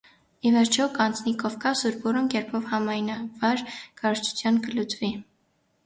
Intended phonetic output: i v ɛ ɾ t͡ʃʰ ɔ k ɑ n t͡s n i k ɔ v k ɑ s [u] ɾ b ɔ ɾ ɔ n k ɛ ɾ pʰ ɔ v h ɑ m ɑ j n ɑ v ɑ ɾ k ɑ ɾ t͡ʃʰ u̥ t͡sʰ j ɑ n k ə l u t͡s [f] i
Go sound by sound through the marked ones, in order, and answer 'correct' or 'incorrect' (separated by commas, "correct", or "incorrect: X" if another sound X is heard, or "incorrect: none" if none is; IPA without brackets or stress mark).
correct, incorrect: v